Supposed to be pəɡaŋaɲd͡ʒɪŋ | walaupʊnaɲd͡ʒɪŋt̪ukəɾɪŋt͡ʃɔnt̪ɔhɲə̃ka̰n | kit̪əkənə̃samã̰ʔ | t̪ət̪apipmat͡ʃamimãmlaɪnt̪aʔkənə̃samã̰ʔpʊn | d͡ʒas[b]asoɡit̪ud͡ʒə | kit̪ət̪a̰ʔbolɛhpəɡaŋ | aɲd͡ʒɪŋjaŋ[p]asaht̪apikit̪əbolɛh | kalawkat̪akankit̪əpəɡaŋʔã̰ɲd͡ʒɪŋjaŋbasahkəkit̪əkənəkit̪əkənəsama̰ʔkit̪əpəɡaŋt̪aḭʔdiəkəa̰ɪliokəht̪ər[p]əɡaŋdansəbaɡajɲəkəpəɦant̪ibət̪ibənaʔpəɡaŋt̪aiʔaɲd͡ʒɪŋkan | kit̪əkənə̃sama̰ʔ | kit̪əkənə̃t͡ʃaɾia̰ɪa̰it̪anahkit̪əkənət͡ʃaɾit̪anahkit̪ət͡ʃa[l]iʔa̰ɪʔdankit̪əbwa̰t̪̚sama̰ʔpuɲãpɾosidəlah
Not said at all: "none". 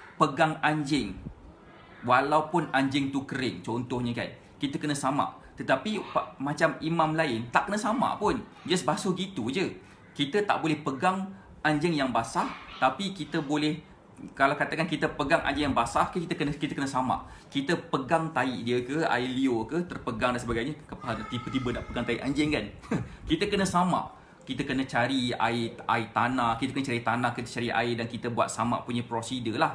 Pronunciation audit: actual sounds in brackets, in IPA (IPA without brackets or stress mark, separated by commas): b, b, p, ɾ